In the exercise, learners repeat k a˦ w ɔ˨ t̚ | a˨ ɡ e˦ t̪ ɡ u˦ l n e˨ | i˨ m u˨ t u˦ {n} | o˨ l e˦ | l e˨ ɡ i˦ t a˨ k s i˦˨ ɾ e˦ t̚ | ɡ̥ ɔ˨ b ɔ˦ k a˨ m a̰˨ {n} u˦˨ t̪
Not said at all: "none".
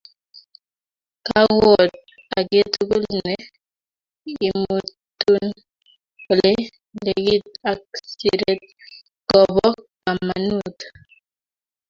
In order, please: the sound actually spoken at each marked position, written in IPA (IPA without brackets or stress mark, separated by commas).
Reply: n, n